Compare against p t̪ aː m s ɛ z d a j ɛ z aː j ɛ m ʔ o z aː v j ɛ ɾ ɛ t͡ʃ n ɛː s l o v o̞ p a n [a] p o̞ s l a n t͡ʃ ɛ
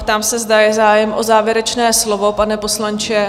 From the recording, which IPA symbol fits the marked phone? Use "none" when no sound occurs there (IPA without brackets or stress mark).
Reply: ɛ